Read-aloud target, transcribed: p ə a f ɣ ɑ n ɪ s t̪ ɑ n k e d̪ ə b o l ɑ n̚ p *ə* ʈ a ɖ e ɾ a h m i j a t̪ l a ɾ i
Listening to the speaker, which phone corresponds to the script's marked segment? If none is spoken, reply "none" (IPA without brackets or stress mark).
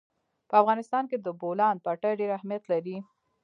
a